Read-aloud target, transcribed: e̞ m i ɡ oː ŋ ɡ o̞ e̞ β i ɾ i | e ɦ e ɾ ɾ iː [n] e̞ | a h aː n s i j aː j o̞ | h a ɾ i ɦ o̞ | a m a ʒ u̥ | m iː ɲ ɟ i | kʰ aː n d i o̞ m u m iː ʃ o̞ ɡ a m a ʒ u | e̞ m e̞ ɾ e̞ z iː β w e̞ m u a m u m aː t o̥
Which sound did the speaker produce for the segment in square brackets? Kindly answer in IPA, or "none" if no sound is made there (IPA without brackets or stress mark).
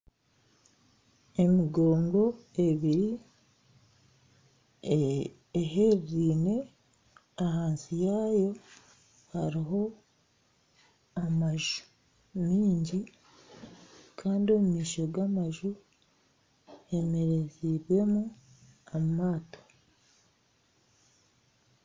n